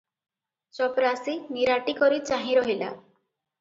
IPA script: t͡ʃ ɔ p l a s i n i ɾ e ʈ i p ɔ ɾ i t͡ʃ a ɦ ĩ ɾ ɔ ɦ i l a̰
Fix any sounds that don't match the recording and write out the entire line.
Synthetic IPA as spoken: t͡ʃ ɔ p ɾ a s i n i ɾ a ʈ i k ɔ ɾ i t͡ʃ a ɦ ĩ ɾ ɔ ɦ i l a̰